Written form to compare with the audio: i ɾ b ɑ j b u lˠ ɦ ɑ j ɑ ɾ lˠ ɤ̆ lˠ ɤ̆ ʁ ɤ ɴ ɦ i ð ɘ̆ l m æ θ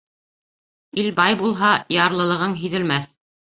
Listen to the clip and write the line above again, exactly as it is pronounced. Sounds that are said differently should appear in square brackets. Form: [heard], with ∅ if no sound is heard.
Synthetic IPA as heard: i [l] b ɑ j b u lˠ ɦ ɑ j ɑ ɾ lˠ ɤ̆ lˠ ɤ̆ ʁ ɤ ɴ ɦ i ð ɘ̆ l m æ θ